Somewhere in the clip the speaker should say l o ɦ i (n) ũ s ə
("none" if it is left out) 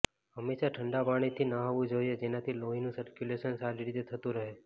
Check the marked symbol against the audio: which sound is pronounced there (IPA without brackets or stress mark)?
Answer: n